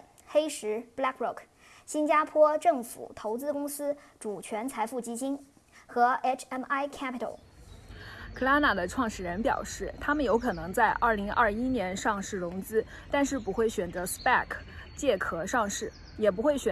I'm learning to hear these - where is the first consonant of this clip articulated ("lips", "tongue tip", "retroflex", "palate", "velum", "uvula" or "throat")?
velum